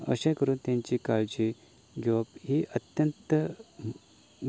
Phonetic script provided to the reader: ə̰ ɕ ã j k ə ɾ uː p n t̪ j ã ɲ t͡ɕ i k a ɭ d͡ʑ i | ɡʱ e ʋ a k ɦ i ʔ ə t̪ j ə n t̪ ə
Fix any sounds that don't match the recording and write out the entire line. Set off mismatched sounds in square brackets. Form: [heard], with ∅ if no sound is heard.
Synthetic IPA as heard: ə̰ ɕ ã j k ə ɾ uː [∅] n t̪ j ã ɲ t͡ɕ i k a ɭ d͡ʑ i | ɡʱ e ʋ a [p] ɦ i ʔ ə t̪ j ə n t̪ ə